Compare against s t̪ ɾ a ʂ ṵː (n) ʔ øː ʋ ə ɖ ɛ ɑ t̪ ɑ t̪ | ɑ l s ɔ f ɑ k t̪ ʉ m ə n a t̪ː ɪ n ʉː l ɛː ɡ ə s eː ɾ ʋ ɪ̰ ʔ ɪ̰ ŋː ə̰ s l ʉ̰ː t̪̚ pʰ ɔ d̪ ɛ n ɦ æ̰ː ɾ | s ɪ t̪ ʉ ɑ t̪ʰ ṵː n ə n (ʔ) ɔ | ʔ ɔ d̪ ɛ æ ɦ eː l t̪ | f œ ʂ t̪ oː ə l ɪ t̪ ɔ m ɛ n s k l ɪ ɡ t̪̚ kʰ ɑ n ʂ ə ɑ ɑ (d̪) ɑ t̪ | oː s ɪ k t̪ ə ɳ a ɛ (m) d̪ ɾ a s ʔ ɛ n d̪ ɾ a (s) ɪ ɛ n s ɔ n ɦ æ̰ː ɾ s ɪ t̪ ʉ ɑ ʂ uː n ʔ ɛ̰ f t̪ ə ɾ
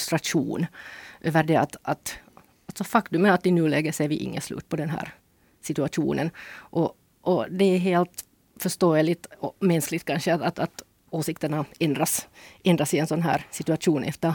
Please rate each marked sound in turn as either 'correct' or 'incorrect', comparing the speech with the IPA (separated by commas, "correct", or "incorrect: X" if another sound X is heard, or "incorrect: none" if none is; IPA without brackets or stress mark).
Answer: correct, correct, incorrect: t̪, incorrect: n, correct